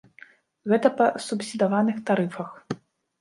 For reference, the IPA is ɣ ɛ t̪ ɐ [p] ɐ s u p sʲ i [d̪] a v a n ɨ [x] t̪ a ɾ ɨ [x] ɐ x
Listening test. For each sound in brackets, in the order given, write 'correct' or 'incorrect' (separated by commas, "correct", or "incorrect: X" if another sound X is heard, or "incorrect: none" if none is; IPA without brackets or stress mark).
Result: correct, correct, correct, incorrect: f